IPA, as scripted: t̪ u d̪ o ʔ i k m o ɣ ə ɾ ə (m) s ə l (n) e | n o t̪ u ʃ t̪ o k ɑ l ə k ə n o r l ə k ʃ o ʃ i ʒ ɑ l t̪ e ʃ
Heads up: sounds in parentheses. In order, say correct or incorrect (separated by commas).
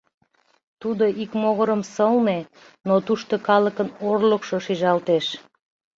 correct, correct